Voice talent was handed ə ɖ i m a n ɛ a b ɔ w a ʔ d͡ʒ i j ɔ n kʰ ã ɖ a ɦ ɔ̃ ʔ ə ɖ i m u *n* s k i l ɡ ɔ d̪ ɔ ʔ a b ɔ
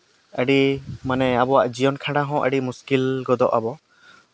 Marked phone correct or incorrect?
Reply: incorrect